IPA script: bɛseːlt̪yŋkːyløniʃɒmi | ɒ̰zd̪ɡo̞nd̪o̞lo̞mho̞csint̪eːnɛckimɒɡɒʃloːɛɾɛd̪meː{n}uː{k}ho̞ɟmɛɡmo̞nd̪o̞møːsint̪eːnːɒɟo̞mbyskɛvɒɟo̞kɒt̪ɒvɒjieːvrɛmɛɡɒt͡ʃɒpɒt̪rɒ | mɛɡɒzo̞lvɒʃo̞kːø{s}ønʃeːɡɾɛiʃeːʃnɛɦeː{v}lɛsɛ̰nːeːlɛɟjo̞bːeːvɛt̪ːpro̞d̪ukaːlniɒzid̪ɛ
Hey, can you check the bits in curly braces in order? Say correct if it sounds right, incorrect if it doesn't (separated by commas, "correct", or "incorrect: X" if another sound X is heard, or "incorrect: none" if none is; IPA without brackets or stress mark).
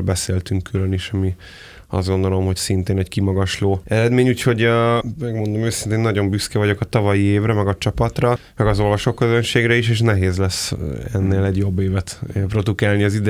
incorrect: ɲ, incorrect: c, incorrect: z, incorrect: z